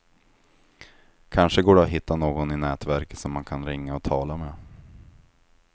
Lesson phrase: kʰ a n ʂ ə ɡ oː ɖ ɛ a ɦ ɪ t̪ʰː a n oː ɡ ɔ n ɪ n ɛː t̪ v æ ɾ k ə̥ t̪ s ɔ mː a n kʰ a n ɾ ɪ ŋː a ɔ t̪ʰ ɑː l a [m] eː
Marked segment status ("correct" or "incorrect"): correct